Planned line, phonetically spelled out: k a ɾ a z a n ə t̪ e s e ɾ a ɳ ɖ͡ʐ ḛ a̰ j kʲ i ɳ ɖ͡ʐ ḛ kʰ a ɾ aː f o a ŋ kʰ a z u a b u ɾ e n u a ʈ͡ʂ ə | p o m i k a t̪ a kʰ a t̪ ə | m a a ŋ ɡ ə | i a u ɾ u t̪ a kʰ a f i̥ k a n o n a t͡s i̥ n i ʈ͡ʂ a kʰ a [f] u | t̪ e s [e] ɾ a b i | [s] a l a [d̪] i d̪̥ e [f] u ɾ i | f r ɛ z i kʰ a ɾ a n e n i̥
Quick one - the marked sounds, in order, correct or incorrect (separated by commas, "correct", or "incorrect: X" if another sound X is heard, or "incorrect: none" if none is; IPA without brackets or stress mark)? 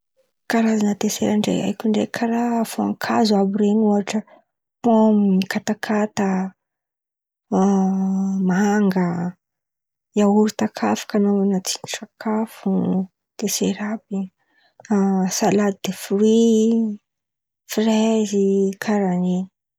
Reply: correct, correct, correct, correct, correct